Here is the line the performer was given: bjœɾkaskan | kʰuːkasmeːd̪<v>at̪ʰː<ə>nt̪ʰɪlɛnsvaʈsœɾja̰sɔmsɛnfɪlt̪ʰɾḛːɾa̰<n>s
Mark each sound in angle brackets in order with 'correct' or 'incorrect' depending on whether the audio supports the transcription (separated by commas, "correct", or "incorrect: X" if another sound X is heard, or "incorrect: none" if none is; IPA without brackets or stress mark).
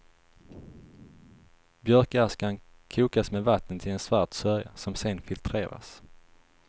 correct, correct, incorrect: none